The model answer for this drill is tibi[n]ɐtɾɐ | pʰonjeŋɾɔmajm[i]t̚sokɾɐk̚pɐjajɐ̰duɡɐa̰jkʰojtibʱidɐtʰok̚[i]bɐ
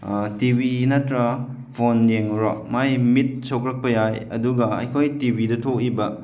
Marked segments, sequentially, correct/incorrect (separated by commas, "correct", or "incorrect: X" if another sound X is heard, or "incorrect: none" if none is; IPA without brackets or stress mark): correct, correct, correct